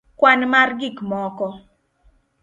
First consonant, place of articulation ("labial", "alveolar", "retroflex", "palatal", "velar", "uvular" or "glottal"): velar